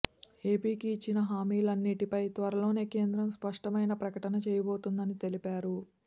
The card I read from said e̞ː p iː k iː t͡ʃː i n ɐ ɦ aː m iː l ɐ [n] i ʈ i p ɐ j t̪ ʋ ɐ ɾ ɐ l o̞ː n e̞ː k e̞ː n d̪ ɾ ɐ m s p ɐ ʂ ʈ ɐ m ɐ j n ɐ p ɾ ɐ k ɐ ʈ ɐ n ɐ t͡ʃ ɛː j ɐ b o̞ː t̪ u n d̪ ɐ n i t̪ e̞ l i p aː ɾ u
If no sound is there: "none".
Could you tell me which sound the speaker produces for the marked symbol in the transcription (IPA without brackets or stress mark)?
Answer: nː